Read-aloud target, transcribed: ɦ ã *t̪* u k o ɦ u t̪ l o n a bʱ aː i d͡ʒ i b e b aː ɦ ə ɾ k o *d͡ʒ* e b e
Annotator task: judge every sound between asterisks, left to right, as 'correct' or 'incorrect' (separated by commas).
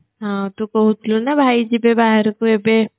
correct, incorrect